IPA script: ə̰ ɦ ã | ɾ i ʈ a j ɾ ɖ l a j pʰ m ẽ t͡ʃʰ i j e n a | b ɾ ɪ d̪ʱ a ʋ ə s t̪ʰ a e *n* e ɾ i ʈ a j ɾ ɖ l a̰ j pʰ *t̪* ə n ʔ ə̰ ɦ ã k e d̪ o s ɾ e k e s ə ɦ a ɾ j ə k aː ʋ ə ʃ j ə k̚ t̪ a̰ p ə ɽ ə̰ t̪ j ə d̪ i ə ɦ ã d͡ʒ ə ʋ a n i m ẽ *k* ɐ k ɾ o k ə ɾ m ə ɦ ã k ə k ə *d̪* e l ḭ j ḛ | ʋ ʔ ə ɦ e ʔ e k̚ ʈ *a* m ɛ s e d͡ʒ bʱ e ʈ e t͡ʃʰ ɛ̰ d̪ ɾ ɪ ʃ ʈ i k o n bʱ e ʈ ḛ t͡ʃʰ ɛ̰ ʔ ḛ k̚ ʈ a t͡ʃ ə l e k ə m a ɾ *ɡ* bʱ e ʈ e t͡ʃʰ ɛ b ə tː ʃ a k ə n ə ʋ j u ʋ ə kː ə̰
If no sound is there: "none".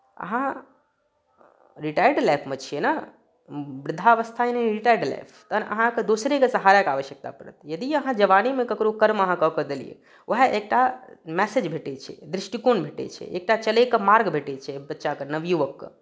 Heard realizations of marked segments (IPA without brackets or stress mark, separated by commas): n, t̪, k, d̪, a, ɡ